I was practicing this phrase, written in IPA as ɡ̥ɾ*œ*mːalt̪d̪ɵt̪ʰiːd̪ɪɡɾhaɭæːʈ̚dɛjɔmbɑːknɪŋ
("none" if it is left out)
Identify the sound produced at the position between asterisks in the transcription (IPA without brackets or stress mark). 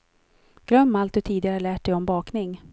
œ